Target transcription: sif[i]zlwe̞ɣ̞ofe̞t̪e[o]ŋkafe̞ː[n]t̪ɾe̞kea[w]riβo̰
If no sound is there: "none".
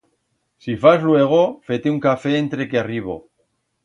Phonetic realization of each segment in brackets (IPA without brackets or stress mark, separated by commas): a, u, n, none